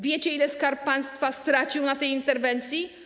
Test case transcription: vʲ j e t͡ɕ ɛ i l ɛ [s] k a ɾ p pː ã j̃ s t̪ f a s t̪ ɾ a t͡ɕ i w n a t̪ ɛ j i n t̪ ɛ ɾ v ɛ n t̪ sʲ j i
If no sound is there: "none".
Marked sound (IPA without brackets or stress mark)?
s